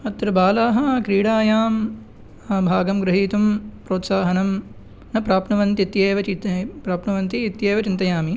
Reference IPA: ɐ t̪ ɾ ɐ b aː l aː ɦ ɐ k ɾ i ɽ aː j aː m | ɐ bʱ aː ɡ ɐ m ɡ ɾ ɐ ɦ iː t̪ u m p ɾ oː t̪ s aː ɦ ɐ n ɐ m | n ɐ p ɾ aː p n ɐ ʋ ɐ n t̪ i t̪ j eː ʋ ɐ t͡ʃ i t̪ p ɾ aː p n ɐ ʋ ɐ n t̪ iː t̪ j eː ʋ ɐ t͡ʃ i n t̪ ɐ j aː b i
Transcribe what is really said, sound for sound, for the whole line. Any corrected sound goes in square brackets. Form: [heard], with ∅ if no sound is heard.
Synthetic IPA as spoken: ɐ t̪ ɾ ɐ b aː l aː ɦ ɐ k ɾ [iː] ɽ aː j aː m | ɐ bʱ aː ɡ ɐ m ɡ ɾ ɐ ɦ iː t̪ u m p ɾ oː t̪ s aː ɦ ɐ n ɐ m | n ɐ p ɾ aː p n ɐ ʋ ɐ n t̪ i t̪ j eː ʋ ɐ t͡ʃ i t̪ p ɾ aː p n ɐ ʋ ɐ n t̪ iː t̪ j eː ʋ ɐ t͡ʃ i n t̪ ɐ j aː [m] i